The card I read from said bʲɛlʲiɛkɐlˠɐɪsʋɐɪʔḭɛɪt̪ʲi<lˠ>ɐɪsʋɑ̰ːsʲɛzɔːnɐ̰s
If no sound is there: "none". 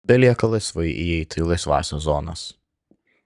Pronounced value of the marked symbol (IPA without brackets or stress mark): lˠ